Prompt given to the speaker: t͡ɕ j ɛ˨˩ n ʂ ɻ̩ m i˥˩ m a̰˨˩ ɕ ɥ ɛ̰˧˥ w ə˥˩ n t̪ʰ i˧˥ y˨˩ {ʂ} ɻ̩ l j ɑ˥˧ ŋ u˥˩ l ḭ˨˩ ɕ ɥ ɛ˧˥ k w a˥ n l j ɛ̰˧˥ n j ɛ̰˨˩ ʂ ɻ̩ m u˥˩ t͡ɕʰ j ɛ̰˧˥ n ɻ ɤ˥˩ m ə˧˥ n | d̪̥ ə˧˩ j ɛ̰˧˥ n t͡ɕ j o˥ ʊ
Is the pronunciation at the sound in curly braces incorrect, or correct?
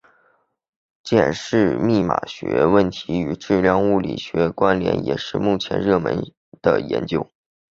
incorrect: ʈ͡ʂ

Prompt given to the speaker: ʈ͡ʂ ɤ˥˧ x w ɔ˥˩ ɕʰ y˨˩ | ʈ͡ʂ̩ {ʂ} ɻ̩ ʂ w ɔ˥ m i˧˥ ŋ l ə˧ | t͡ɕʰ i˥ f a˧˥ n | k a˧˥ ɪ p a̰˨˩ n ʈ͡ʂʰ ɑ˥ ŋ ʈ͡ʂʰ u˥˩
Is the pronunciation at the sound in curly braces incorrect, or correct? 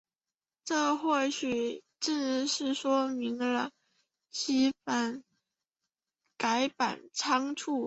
correct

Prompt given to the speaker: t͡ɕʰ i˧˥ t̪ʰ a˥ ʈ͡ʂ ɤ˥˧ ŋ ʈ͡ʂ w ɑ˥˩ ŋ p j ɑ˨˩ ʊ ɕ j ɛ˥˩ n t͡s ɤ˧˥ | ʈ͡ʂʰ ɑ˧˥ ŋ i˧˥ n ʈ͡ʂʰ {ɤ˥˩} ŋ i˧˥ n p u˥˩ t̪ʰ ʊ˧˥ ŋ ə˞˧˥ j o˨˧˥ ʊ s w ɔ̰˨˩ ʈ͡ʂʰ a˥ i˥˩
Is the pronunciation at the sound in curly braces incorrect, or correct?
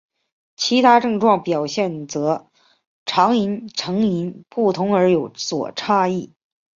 incorrect: ɤ˧˥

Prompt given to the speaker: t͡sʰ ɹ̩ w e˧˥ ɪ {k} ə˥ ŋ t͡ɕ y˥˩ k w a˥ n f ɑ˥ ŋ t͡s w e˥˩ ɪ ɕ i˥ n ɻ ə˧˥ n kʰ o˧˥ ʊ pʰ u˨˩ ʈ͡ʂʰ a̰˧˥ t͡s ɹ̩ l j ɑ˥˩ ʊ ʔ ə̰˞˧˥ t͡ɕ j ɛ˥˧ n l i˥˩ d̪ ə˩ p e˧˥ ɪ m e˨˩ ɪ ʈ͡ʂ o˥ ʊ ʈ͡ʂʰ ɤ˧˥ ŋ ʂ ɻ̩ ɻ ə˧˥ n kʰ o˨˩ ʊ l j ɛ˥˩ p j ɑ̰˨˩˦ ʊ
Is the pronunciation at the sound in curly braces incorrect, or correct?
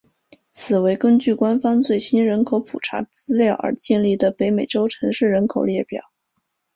correct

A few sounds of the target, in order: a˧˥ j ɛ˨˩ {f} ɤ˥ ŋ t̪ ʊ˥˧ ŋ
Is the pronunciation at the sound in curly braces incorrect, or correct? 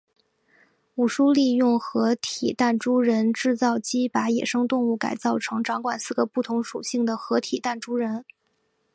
incorrect: ʂ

